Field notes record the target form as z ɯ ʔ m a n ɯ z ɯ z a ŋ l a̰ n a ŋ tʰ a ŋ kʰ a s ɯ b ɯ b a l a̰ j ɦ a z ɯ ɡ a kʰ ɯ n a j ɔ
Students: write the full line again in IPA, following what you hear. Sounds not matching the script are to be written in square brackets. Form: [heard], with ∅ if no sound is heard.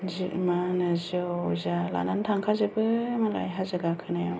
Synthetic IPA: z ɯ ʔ m a n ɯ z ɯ z a [∅] l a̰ n a [n] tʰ a ŋ kʰ a [z] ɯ b ɯ [m] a l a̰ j ɦ a z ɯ ɡ a kʰ ɯ n a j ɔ